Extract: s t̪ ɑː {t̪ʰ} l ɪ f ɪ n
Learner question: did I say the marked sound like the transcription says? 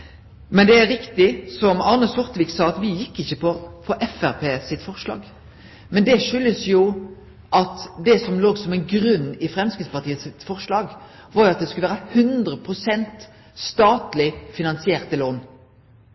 no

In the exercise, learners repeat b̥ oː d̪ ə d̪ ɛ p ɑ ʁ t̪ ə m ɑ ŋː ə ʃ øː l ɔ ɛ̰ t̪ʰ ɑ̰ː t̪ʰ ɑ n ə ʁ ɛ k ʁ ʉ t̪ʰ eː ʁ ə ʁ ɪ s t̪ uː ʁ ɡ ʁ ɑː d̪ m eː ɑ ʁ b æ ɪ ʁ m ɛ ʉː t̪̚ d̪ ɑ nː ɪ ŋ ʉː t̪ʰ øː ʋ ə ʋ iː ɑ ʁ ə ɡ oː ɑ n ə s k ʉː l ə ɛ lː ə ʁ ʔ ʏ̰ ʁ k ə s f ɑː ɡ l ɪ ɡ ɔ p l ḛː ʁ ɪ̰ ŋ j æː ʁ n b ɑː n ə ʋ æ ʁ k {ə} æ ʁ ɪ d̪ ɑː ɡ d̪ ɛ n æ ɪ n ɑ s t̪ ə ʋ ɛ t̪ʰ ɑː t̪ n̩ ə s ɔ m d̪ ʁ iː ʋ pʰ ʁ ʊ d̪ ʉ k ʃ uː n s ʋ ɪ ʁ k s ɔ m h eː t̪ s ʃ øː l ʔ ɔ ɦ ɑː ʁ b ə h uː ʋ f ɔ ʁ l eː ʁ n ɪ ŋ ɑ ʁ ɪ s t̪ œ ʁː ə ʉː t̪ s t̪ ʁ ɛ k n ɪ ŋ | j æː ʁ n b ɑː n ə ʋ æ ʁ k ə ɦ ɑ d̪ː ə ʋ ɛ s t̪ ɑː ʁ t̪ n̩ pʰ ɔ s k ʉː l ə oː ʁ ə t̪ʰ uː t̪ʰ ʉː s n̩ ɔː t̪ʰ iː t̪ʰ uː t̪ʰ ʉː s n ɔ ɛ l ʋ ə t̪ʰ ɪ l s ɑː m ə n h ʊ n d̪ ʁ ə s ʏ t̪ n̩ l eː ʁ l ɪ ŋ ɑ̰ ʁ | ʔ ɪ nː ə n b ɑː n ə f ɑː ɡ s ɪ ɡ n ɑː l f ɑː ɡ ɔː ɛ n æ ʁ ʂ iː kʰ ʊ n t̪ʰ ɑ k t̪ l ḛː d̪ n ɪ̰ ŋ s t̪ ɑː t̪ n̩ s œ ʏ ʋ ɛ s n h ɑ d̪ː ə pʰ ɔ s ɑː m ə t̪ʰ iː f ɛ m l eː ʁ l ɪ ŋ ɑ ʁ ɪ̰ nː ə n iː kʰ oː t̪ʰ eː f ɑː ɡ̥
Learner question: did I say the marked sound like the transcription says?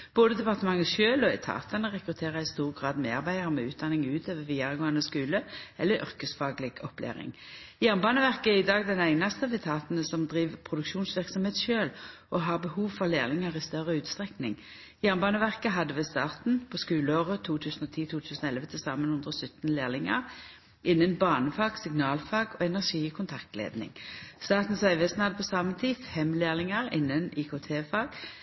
yes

